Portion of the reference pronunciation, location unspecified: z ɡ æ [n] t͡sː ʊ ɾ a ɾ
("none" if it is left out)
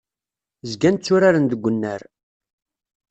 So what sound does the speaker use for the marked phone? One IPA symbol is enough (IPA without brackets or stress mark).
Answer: n